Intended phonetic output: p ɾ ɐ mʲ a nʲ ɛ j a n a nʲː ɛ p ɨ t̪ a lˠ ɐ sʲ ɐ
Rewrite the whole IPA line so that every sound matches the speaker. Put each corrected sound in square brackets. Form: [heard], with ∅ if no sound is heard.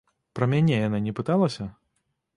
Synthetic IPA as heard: p ɾ ɐ mʲ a nʲ ɛ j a n a [nʲ] ɛ p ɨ t̪ a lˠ ɐ sʲ ɐ